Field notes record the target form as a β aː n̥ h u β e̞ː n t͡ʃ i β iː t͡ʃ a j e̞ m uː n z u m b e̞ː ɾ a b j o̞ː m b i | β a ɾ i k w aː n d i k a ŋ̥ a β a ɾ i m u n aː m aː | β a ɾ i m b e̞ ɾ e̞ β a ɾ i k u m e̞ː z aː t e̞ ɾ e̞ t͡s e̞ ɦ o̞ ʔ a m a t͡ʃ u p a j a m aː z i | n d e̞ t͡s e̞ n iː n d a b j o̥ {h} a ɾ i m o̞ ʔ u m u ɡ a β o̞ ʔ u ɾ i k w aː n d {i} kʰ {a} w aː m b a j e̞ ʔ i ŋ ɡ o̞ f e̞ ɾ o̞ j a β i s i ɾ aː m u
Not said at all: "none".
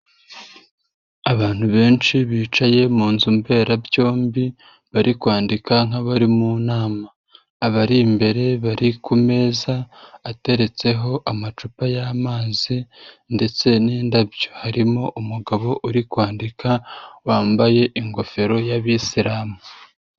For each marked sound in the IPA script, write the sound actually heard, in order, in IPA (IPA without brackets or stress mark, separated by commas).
h, i, a